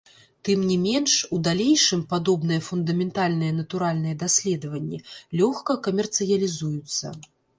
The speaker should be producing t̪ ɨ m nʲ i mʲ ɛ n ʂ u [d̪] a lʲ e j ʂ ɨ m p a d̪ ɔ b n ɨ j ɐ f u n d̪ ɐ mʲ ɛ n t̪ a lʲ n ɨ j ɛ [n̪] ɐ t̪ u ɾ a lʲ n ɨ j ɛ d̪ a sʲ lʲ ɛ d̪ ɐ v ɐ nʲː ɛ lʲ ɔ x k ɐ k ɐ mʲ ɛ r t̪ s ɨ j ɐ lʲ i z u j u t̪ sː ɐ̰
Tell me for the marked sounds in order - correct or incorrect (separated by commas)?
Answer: correct, correct